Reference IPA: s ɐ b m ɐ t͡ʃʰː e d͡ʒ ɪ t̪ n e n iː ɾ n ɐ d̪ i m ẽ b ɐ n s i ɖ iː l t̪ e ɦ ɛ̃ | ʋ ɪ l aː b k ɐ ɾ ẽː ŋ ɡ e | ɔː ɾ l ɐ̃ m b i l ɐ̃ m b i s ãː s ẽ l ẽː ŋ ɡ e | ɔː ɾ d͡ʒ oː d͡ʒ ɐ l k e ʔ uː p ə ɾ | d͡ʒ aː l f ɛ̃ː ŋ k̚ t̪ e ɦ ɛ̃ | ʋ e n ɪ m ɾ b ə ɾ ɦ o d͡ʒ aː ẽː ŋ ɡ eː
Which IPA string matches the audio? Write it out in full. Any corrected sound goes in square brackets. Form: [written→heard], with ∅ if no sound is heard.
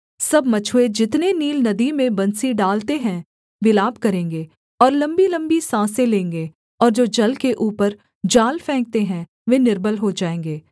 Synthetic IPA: s ɐ b m ɐ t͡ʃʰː e d͡ʒ ɪ t̪ n e n iː [ɾ→l] n ɐ d̪ i m ẽ b ɐ n s i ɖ [iː→aː] l t̪ e ɦ ɛ̃ | ʋ ɪ l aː b k ɐ ɾ ẽː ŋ ɡ e | ɔː ɾ l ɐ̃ m b i l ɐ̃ m b i s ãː s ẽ l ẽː ŋ ɡ e | ɔː ɾ d͡ʒ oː d͡ʒ ɐ l k e ʔ uː p ə ɾ | d͡ʒ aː l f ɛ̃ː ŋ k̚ t̪ e ɦ ɛ̃ | ʋ e n ɪ [m→∅] ɾ b ə [ɾ→l] ɦ o d͡ʒ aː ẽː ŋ ɡ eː

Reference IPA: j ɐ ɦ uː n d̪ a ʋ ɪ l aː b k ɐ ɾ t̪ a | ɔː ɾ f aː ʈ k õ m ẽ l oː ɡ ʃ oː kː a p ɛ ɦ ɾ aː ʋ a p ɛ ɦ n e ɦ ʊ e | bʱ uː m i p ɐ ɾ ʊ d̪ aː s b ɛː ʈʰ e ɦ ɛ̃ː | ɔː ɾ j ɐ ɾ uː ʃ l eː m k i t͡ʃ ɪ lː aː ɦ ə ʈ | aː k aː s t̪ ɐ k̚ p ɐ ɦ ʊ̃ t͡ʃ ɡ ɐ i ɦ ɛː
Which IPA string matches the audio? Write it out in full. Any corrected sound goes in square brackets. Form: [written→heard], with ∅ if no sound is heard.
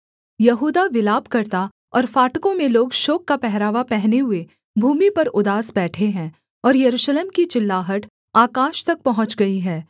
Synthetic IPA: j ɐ ɦ uː [n→∅] d̪ a ʋ ɪ l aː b k ɐ ɾ t̪ a | ɔː ɾ f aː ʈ k õ m ẽ l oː ɡ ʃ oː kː a p ɛ ɦ ɾ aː ʋ a p ɛ ɦ n e ɦ ʊ e | bʱ uː m i p ɐ ɾ ʊ d̪ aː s b ɛː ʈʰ e ɦ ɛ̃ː | ɔː ɾ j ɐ ɾ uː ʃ l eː m k i t͡ʃ ɪ lː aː ɦ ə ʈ | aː k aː [s→ʃ] t̪ ɐ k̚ p ɐ ɦ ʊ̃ t͡ʃ ɡ ɐ i ɦ ɛː

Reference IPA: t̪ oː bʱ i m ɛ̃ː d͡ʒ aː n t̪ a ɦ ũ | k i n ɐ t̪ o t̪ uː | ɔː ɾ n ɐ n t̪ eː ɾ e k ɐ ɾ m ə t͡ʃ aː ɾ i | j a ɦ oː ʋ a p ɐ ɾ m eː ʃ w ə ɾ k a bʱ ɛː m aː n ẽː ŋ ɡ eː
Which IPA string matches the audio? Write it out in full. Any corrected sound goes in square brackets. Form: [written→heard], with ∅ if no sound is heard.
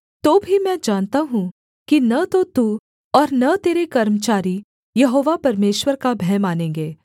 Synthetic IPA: t̪ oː bʱ i m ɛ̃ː d͡ʒ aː n t̪ a ɦ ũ | k i n ɐ t̪ o t̪ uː | ɔː ɾ n ɐ [n→∅] t̪ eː ɾ e k ɐ ɾ m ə t͡ʃ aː ɾ i | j [a→ɐ] ɦ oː ʋ a p ɐ ɾ m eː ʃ w ə ɾ k a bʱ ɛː m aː n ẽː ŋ ɡ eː

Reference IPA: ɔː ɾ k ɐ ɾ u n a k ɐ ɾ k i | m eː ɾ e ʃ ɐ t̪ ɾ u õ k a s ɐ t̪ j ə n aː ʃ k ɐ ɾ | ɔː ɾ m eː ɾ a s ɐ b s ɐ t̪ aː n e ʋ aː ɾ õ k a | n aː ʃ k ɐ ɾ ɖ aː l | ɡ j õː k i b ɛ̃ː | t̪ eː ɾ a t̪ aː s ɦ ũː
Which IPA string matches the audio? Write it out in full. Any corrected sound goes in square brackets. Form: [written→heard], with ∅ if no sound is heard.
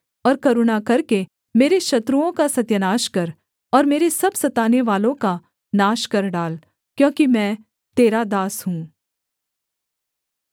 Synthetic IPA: ɔː ɾ k ɐ ɾ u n a k ɐ ɾ k [i→e] | m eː ɾ e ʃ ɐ t̪ ɾ u õ k a s ɐ t̪ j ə n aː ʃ k ɐ ɾ | ɔː ɾ m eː ɾ [a→e] s ɐ b s ɐ t̪ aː n e ʋ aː [ɾ→l] õ k a | n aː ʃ k ɐ ɾ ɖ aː l | [ɡ→k] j õː k i [b→m] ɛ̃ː | t̪ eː ɾ a [t̪→d̪] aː s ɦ ũː

